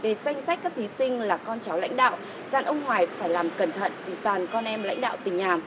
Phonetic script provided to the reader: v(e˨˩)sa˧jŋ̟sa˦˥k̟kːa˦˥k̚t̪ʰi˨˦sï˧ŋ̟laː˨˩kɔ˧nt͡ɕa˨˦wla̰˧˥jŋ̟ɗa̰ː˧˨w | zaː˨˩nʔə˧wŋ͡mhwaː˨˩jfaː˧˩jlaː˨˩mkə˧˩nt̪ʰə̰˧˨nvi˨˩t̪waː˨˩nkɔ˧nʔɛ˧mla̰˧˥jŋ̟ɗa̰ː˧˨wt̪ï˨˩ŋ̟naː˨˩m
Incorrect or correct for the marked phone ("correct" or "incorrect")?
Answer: correct